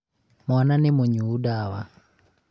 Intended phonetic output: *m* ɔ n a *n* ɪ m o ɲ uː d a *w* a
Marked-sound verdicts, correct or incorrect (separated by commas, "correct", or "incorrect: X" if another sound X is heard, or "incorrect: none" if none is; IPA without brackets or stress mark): correct, correct, correct